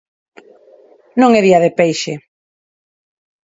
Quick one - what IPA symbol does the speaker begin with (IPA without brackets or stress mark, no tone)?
n